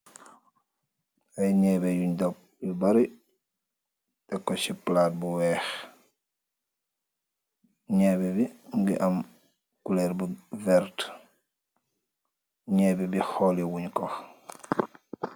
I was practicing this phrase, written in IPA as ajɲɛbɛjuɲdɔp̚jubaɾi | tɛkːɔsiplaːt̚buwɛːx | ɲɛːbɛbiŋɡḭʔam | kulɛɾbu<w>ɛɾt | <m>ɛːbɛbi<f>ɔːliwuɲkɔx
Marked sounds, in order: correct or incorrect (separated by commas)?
incorrect, incorrect, incorrect